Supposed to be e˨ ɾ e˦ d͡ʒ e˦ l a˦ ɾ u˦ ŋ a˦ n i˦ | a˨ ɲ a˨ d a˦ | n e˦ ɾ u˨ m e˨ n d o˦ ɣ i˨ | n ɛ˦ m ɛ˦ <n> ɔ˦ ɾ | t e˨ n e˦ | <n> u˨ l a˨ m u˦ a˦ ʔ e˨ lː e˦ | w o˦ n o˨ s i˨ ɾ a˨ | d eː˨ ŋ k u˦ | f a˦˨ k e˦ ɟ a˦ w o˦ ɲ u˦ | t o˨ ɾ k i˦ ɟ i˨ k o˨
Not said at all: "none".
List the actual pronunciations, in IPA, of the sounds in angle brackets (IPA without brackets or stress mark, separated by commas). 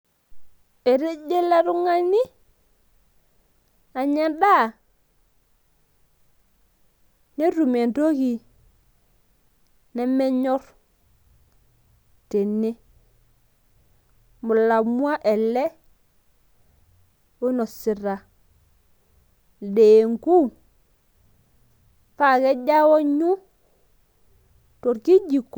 ɲ, m